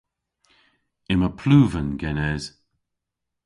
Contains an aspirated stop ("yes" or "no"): yes